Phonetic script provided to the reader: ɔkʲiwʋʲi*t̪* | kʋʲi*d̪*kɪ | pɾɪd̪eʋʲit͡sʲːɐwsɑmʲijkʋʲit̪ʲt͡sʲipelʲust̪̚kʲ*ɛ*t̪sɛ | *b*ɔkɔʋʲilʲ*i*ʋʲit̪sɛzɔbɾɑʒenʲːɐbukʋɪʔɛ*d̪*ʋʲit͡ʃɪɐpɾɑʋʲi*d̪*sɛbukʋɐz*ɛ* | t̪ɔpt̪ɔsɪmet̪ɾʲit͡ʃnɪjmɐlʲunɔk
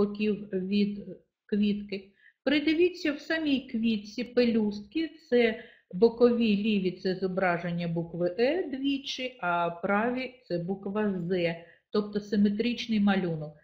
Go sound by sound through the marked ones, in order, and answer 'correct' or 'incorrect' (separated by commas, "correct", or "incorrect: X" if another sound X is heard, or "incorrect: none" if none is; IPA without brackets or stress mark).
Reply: incorrect: d̪, incorrect: t̪, incorrect: i, correct, correct, correct, incorrect: t̪, correct